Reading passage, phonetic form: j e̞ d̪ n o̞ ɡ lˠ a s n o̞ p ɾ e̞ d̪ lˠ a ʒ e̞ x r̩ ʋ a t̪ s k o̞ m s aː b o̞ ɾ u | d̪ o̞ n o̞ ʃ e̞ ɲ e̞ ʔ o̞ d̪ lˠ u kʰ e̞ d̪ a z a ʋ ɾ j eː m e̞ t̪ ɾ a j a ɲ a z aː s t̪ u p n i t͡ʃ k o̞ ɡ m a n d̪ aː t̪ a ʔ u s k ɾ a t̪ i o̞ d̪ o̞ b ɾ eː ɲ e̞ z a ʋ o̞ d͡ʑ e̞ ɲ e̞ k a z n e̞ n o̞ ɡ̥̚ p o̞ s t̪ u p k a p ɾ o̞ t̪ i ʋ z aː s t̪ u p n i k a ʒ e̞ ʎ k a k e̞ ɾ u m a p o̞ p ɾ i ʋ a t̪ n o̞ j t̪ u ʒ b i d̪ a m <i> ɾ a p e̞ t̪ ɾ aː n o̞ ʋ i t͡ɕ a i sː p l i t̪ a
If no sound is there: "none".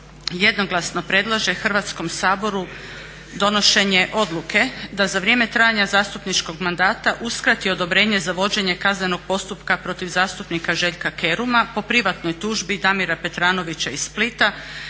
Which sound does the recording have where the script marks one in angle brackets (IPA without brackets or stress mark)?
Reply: i